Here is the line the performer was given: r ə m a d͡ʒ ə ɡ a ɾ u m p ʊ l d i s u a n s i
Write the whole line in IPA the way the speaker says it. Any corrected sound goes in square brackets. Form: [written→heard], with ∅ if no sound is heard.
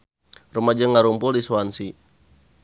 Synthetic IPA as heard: r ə m a d͡ʒ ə [ɡ→ŋ] a ɾ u m p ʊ l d i s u a n s i